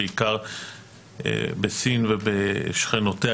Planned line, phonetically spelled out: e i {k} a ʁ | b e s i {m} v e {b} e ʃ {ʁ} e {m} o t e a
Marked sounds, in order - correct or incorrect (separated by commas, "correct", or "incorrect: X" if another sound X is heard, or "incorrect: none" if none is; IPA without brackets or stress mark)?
correct, incorrect: n, correct, incorrect: χ, incorrect: n